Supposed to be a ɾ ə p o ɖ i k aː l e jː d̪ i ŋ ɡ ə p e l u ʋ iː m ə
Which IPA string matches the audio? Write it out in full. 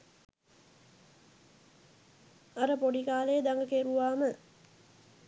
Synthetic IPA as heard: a ɾ ə p o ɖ i k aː l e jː d̪ a ŋ ɡ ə k e ɾ u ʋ aː m ə